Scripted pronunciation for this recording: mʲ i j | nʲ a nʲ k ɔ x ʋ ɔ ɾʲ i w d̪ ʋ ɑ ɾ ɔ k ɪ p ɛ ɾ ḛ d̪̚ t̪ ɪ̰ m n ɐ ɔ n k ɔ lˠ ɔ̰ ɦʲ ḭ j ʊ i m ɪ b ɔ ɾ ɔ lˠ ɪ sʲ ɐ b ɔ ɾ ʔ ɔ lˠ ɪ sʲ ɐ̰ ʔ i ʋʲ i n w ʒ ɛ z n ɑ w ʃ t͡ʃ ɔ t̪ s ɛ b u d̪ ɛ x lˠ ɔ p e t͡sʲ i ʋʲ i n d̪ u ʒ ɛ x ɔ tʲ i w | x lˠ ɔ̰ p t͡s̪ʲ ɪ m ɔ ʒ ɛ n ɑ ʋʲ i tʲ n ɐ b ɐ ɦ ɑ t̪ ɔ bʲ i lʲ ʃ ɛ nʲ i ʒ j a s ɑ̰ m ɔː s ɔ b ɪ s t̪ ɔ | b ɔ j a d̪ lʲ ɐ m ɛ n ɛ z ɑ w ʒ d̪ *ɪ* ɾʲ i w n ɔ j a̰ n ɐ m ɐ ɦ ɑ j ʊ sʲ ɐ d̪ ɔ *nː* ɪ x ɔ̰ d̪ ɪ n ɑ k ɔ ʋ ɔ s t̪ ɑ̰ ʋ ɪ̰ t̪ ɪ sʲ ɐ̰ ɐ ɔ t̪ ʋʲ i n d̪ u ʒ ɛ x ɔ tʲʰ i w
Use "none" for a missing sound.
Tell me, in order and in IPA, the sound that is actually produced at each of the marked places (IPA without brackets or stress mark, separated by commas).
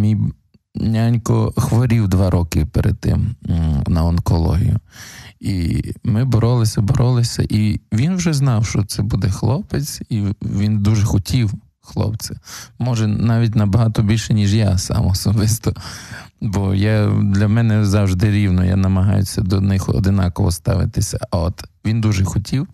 ɪ, n